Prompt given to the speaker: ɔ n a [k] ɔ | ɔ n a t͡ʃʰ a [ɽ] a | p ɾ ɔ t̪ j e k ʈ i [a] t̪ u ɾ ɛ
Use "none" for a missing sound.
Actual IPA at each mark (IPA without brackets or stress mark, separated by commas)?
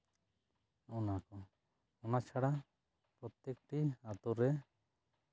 k, ɽ, a